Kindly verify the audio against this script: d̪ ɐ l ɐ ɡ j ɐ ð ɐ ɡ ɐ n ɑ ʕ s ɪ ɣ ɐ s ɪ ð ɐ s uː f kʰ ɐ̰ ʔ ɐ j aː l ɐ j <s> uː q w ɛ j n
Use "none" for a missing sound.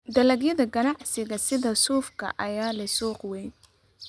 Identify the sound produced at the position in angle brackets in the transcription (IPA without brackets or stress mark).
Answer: s